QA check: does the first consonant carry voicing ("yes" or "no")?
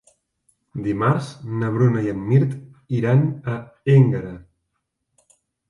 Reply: yes